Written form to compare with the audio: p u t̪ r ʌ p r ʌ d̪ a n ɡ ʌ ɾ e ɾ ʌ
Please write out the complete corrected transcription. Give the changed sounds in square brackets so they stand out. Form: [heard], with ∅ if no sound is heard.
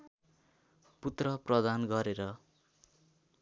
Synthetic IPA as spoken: p u t̪ r ʌ p r ʌ d̪ a n ɡ ʌ ɾ e ɾ ʌ